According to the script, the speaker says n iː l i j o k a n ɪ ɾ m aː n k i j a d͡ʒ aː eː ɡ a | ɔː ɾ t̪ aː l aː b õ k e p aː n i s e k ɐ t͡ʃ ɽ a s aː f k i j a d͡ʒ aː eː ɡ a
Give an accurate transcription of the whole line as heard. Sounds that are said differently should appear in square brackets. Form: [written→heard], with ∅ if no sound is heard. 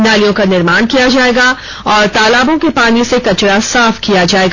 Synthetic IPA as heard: n [iː→aː] l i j [o→õ] k a n ɪ ɾ m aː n k i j a d͡ʒ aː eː ɡ a | ɔː ɾ t̪ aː l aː b õ k e p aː n i s e k ɐ t͡ʃ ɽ a s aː f k i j a d͡ʒ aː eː ɡ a

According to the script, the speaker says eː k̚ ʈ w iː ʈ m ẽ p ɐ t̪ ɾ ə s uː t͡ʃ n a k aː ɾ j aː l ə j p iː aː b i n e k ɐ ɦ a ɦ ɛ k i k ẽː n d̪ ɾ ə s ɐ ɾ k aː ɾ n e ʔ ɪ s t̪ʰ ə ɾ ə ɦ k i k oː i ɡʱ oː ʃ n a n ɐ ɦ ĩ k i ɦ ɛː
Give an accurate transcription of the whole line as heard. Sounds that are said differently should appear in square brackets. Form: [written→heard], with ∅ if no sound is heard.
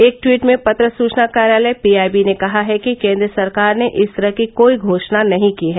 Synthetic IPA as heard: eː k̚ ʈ w iː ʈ m ẽ p ɐ t̪ ɾ ə s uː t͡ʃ n a k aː ɾ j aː l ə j p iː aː b i n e k ɐ ɦ a ɦ ɛ k i k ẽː n d̪ ɾ ə s ɐ ɾ k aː ɾ n e ʔ ɪ s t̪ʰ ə ɾ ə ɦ k i k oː i ɡʱ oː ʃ n a n ɐ ɦ ĩ k i ɦ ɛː

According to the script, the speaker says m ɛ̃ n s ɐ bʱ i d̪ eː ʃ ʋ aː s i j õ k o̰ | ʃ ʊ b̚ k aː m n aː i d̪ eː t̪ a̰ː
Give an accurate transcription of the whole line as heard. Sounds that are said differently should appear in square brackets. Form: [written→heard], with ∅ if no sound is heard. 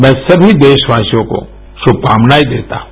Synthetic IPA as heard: m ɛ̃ [n→∅] s ɐ bʱ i d̪ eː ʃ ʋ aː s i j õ k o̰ | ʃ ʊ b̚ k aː m n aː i d̪ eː t̪ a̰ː

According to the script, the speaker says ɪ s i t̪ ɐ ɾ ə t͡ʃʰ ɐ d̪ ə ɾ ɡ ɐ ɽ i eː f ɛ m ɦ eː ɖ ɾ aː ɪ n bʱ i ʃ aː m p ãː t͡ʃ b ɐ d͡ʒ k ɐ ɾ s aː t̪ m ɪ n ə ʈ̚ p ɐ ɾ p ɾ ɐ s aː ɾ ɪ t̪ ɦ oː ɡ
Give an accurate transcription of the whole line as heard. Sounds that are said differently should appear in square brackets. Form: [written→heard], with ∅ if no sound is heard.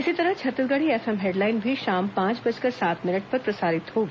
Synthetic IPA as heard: ɪ s i t̪ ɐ ɾ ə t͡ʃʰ ɐ [d̪→t̪] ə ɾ ɡ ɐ ɽ i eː f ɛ m ɦ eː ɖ [ɾ→l] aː ɪ n bʱ i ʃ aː m p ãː t͡ʃ b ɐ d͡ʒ k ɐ ɾ s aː t̪ m ɪ n ə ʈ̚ p ɐ ɾ p ɾ ɐ s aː ɾ ɪ t̪ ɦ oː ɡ

